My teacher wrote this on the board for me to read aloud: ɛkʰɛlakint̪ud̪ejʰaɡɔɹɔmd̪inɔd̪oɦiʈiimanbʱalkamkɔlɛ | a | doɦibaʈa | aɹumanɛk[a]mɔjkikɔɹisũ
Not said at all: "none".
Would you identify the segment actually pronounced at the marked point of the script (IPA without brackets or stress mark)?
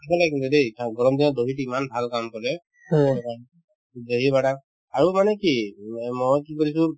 i